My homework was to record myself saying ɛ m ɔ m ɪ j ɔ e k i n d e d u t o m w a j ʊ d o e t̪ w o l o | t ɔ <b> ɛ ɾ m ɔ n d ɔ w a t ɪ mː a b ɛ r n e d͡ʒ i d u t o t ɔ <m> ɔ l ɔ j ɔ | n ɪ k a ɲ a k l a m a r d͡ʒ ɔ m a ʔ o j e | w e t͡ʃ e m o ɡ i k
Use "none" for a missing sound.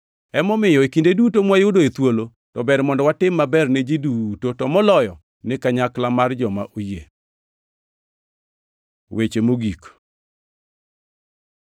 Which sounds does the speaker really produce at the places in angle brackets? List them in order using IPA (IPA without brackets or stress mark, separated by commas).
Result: b, m